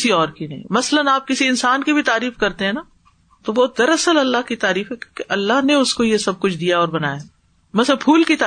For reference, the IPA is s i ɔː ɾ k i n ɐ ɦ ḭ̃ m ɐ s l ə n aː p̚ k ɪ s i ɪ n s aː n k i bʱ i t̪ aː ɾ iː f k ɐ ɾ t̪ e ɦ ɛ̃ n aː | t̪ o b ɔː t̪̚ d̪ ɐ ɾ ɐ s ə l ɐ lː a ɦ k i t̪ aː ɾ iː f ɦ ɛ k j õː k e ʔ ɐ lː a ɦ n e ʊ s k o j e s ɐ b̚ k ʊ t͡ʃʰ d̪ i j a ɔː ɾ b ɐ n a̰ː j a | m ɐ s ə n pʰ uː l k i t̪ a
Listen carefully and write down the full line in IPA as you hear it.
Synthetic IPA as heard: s i ɔː ɾ k i n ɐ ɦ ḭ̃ m ɐ s l ə n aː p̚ k ɪ s i ɪ n s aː n k i bʱ i t̪ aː ɾ iː f k ɐ ɾ t̪ e ɦ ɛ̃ n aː | t̪ o b ɔː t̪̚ d̪ ɐ ɾ ɐ s ə l ɐ lː a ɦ k i t̪ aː ɾ iː f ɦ ɛ k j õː k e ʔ ɐ lː a ɦ n e ʊ s k o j e s ɐ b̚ k ʊ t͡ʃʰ d̪ i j a ɔː ɾ b ɐ n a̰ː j a | m ɐ s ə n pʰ uː l k i t̪ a